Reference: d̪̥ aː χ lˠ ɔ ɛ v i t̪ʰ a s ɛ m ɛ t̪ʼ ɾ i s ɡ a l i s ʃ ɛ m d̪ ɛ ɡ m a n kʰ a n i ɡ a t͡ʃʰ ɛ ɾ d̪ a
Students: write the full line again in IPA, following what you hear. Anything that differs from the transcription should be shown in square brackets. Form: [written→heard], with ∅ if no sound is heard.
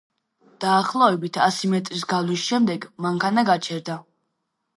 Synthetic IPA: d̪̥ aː χ lˠ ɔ ɛ [v→b] i t̪ʰ a s [ɛ→i] m ɛ t̪ʼ ɾ i s ɡ a l i s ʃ ɛ m d̪ ɛ ɡ m a [n→ŋ] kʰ a n [i→a] ɡ a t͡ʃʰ ɛ ɾ d̪ a